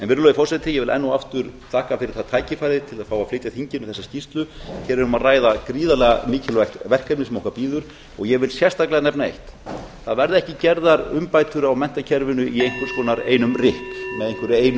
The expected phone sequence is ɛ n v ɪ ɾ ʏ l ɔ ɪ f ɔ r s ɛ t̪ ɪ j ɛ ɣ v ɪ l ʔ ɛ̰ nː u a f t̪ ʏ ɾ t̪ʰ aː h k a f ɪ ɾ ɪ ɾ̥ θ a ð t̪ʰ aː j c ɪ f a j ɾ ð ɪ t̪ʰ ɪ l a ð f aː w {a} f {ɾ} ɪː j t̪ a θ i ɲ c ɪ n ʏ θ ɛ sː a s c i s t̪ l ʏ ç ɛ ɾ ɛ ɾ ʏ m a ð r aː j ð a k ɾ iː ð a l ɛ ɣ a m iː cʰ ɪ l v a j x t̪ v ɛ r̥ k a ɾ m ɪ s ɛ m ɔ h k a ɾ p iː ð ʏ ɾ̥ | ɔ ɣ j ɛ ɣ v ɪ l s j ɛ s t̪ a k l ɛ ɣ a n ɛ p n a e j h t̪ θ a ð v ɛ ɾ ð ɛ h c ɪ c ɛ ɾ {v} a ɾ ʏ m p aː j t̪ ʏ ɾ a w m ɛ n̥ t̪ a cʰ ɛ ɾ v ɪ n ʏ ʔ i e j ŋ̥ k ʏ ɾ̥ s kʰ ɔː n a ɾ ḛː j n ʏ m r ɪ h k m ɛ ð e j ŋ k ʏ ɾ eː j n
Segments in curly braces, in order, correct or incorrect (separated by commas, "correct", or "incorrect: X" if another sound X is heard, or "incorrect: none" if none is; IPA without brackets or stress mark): correct, incorrect: l, incorrect: ð